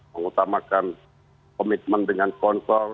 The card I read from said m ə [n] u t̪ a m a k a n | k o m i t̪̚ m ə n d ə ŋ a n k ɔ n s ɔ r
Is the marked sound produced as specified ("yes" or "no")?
no